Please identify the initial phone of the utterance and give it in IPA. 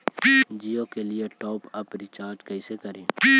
d͡ʒ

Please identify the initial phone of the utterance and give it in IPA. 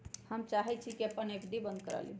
h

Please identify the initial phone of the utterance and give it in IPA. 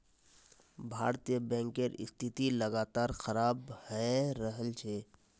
bʱ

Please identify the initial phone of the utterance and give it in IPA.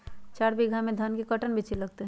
t͡ʃ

